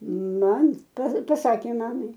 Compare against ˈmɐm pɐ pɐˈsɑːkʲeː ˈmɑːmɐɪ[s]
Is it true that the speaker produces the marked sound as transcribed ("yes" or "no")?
no